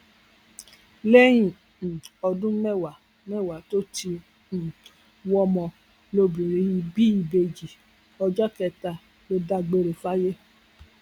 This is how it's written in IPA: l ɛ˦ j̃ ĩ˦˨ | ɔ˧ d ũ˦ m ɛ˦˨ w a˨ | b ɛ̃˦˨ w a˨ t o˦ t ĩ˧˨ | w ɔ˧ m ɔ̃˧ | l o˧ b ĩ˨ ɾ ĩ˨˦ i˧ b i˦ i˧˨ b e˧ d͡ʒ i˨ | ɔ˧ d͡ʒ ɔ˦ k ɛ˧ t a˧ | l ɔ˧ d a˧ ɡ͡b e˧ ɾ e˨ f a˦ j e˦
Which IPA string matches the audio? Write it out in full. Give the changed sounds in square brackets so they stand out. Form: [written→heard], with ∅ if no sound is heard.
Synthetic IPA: l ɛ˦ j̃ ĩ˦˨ | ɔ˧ d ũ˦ m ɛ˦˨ w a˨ | [b→m] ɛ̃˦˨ w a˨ t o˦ t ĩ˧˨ | w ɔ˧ m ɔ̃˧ | l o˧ b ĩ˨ ɾ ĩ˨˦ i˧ b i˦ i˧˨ b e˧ d͡ʒ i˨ | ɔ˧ d͡ʒ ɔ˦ k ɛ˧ t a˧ | l [ɔ˧→o˧] d a˧ ɡ͡b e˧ ɾ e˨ f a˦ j e˦